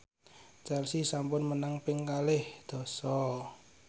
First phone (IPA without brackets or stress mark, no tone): t͡ʃ